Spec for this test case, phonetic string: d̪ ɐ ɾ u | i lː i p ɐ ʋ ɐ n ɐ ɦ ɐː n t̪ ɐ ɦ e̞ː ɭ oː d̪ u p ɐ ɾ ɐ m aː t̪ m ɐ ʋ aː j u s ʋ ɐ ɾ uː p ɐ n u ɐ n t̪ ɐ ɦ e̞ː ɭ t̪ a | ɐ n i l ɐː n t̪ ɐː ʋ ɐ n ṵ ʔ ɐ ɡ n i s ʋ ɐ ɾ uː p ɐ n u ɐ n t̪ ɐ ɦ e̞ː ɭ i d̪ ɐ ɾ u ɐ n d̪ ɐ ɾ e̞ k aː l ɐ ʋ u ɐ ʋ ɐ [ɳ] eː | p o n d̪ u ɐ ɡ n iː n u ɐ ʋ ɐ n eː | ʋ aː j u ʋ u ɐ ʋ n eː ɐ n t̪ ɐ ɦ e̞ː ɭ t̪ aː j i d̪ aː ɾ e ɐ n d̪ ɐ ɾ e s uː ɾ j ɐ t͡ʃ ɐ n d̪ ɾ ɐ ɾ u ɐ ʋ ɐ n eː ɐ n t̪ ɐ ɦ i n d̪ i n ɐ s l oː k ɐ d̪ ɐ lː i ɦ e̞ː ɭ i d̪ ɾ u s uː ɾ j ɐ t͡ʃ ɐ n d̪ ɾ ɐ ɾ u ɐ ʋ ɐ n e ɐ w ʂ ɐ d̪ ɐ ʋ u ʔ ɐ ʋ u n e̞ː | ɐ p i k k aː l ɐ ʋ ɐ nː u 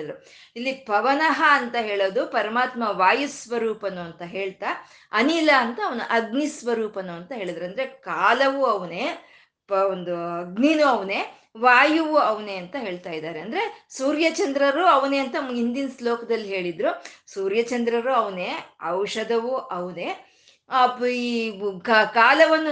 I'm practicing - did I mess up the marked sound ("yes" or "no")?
yes